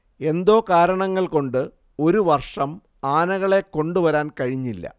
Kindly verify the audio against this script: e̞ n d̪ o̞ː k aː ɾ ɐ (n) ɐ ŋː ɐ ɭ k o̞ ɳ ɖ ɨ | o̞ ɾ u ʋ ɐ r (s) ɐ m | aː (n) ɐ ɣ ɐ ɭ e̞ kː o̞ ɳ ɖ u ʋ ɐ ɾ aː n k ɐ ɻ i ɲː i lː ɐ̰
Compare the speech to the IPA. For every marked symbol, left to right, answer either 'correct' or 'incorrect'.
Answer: incorrect, incorrect, correct

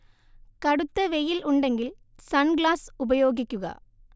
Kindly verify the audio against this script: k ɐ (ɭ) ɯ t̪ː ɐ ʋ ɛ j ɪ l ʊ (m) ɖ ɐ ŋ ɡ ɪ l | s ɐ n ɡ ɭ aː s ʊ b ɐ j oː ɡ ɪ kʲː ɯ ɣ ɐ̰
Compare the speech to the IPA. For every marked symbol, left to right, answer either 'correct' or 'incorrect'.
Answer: incorrect, incorrect

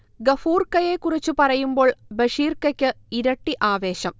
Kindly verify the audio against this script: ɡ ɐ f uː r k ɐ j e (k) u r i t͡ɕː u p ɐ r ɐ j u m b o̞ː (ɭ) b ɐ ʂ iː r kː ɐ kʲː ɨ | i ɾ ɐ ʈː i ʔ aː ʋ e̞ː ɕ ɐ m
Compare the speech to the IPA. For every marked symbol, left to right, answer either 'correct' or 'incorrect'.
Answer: correct, correct

